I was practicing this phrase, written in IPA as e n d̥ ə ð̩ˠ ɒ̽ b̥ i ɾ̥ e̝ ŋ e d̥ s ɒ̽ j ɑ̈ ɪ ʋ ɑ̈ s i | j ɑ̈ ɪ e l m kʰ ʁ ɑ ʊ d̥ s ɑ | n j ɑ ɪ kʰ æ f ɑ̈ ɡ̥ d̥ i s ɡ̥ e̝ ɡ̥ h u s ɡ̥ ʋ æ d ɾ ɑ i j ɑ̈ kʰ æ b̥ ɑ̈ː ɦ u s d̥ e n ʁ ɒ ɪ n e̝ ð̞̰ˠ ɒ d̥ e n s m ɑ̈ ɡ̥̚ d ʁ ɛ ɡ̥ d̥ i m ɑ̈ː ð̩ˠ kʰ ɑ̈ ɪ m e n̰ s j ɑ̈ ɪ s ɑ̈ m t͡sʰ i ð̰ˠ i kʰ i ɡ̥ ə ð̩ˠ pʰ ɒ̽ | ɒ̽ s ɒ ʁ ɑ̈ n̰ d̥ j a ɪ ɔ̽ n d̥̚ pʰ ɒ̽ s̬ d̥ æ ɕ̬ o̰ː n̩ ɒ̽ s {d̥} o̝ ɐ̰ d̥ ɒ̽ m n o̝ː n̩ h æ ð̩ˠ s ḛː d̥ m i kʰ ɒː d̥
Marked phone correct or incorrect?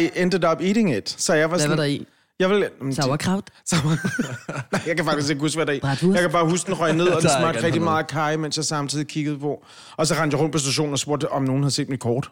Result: incorrect